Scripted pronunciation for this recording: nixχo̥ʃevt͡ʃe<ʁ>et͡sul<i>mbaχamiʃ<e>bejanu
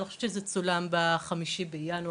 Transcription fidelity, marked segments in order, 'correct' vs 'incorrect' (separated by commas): incorrect, incorrect, incorrect